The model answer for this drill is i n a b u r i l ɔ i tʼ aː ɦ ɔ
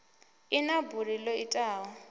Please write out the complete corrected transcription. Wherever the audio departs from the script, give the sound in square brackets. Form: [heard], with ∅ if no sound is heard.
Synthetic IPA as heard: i n a b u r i l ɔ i tʼ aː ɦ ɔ